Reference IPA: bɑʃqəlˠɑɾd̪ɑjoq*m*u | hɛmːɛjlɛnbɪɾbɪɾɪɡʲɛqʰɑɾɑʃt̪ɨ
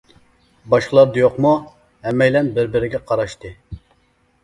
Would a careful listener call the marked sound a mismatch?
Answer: no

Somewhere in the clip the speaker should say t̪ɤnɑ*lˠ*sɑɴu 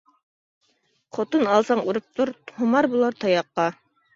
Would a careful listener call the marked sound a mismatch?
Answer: no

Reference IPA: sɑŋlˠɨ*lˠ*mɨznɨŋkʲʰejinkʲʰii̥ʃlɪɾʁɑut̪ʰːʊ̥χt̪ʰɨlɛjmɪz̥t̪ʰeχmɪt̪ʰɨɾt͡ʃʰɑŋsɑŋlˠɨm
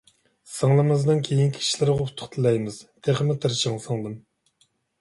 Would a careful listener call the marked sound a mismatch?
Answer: yes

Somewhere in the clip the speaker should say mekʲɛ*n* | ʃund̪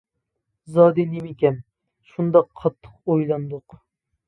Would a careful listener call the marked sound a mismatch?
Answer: no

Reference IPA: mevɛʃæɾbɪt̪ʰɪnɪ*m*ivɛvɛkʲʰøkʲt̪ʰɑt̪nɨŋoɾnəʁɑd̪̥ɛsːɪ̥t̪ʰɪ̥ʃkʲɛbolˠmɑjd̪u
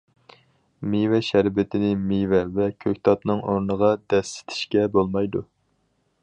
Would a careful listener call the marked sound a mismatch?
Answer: no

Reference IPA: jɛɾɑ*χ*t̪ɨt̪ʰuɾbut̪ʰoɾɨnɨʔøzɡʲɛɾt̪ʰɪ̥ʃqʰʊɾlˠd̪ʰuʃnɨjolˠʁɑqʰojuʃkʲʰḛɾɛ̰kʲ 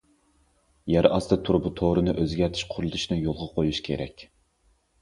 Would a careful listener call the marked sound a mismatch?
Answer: yes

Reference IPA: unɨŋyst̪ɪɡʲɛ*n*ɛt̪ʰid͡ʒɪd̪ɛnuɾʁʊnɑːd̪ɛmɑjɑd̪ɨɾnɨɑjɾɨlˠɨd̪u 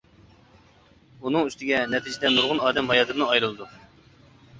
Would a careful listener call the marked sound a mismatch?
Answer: no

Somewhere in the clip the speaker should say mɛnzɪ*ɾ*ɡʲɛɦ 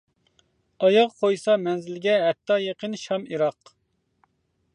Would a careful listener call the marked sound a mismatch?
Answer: yes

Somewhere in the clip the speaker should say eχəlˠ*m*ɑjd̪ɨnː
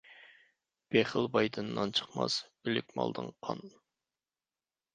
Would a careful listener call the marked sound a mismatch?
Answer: yes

